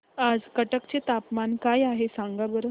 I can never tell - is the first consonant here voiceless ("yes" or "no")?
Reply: no